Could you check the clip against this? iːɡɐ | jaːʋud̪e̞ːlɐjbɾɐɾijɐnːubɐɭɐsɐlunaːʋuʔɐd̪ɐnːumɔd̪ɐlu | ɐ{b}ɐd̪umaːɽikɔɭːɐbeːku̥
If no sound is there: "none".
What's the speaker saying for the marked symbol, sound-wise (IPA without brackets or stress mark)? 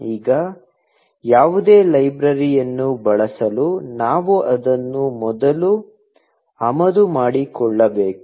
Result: m